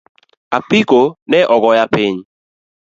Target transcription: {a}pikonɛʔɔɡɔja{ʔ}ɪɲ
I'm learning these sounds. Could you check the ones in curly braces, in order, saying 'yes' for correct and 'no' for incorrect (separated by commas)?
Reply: yes, no